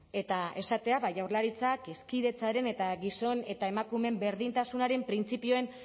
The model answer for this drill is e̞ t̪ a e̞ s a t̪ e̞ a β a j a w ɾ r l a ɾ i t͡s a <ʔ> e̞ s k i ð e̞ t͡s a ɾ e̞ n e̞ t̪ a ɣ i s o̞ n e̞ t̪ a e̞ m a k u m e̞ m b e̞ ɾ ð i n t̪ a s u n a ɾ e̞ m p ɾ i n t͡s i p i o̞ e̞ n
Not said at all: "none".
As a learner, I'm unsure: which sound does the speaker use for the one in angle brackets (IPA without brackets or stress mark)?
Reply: k